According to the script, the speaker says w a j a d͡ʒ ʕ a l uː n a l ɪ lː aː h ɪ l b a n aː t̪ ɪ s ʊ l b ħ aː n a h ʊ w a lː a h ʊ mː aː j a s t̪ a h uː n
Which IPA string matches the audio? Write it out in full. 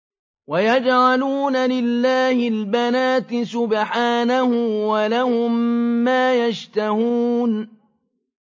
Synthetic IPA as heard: w a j a d͡ʒ ʕ a l uː n a l ɪ lː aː h ɪ l b a n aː t̪ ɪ s ʊ b ħ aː n a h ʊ w a l a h ʊ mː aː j a ʃ t̪ a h uː n